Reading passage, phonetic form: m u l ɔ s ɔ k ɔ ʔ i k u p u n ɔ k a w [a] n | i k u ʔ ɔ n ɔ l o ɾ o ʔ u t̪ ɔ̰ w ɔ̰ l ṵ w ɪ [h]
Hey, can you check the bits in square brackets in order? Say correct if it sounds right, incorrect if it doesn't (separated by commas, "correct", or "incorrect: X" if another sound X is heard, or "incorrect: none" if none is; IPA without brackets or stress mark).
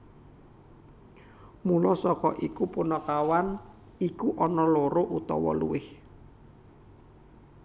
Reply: correct, correct